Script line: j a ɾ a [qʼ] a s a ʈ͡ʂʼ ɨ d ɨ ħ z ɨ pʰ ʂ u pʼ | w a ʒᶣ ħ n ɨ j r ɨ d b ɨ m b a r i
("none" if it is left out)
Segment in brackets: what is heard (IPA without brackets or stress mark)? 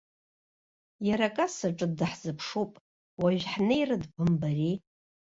kʼ